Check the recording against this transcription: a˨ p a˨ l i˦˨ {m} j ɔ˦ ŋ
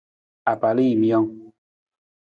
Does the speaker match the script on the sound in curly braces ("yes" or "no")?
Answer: yes